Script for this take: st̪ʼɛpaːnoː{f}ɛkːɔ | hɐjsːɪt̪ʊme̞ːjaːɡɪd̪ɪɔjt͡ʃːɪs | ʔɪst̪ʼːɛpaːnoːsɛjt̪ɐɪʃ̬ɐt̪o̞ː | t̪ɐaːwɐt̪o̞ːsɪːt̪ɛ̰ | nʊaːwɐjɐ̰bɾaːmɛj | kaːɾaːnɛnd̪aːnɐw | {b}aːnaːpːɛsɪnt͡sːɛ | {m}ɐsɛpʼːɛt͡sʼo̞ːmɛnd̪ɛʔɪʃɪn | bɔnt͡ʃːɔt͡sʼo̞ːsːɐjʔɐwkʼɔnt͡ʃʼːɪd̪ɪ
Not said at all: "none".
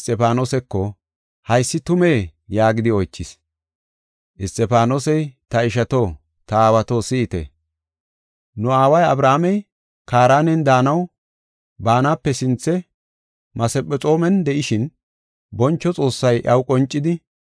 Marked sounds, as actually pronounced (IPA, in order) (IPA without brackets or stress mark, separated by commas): s, b, m